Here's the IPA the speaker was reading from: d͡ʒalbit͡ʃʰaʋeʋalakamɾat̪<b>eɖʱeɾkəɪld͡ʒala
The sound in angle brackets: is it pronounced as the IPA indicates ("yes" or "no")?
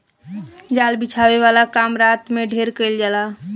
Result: no